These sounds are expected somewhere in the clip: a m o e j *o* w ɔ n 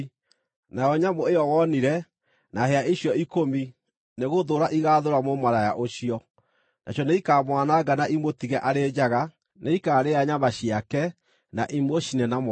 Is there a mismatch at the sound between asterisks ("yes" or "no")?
yes